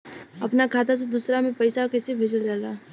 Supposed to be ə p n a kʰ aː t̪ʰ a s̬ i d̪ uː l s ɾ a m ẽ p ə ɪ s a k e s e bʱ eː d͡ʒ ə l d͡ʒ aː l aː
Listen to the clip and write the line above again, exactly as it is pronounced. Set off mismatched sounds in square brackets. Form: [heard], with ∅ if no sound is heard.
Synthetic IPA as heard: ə p n a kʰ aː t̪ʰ a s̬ [e] d̪ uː [∅] s ɾ a m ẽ p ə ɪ s a k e s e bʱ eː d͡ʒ ə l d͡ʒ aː l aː